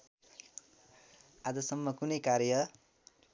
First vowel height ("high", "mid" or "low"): low